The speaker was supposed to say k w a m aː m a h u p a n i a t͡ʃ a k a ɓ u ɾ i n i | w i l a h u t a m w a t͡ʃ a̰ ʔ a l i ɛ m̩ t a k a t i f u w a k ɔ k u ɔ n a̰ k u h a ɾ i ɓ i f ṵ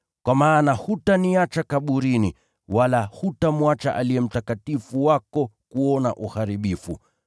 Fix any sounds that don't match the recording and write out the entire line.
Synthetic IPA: k w a m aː n a h u t a n i a t͡ʃ a k a ɓ u ɾ i n i | w a l a h u t a m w a t͡ʃ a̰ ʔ a l i ɛ m̩ t a k a t i f u w a k ɔ k u ɔ n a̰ ʔ u h a ɾ i ɓ i f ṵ